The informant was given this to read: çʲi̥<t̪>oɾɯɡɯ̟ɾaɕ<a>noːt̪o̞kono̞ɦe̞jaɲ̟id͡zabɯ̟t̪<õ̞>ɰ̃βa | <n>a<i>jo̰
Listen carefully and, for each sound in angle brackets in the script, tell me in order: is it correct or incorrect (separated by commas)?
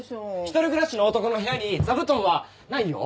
correct, incorrect, correct, correct, correct